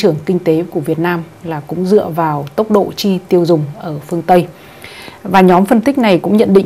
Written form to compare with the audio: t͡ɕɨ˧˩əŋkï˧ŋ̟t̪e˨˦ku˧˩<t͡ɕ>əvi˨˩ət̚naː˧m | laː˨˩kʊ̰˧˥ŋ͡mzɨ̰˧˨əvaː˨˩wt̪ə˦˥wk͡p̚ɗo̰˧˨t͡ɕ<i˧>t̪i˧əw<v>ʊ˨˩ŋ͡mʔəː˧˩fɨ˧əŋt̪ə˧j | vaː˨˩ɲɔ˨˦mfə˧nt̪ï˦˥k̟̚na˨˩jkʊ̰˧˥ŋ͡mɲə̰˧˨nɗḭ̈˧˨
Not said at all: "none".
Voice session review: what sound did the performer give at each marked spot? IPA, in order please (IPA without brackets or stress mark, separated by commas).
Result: none, i˧, z